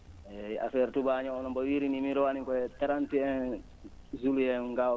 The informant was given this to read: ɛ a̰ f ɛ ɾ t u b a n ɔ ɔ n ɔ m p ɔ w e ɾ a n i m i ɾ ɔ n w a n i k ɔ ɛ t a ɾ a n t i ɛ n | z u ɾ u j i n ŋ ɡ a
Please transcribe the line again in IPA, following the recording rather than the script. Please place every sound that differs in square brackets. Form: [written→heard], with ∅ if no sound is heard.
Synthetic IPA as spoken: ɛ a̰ f ɛ ɾ t u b a [n→ɲ] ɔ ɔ n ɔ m [p→b] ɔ w [e→i] ɾ [a→i] n i m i ɾ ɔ [n→∅] w a n i k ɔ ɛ t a ɾ a n t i ɛ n | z u [ɾ→l] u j [i→ɛ] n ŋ ɡ a